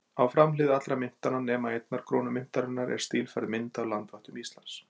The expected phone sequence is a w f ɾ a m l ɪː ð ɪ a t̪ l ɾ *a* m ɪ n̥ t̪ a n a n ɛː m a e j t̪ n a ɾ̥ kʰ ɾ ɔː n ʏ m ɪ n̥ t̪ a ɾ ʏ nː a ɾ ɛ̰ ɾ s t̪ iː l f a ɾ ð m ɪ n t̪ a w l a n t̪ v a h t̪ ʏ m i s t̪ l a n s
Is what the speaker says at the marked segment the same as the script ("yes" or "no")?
yes